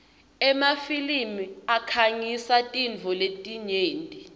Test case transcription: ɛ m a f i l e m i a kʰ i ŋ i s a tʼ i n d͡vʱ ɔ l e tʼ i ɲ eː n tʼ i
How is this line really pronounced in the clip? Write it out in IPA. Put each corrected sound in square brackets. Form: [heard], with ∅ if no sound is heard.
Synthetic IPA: ɛ m a f i l [i] m i a kʰ [a] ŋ i s a tʼ i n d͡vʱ ɔ l e tʼ i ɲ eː n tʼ i